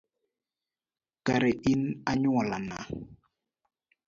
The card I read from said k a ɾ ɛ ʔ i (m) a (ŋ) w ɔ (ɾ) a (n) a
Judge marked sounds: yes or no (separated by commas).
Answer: no, no, no, yes